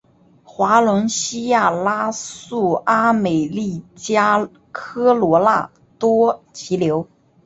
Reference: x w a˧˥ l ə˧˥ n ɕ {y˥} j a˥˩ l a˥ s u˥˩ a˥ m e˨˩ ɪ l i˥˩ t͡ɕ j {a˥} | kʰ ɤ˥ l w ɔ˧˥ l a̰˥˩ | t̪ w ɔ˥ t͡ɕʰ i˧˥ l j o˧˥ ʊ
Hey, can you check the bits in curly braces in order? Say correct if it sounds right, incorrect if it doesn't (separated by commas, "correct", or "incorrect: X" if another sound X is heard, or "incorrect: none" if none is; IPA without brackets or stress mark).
incorrect: i˥, correct